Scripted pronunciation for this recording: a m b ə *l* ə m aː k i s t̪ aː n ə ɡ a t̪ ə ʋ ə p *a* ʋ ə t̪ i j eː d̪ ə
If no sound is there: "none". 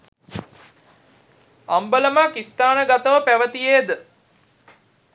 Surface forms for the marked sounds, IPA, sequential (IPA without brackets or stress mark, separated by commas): l, æ